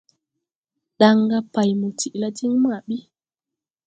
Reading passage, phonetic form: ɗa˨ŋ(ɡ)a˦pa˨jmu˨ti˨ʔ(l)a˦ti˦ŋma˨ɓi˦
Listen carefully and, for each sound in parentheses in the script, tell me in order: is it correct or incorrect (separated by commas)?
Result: correct, correct